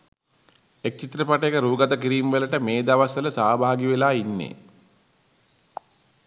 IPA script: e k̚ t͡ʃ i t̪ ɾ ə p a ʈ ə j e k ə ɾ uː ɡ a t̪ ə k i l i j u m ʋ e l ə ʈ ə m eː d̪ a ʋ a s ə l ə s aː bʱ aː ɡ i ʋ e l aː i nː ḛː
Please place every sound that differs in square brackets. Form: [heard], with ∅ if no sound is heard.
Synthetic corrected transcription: e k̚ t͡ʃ i t̪ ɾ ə p a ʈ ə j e k ə ɾ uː ɡ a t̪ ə k i [ɾ] i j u m ʋ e l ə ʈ ə m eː d̪ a ʋ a s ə l ə s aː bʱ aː ɡ i ʋ e l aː i nː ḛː